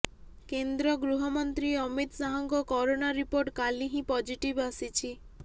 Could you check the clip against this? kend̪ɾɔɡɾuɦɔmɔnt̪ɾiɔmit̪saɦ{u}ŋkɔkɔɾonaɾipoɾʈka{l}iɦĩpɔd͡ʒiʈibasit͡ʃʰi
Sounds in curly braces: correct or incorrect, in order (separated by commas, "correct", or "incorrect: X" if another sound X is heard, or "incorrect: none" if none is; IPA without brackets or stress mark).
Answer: incorrect: ɔ, correct